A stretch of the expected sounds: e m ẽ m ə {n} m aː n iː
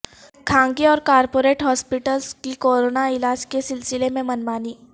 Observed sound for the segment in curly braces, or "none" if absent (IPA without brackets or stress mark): n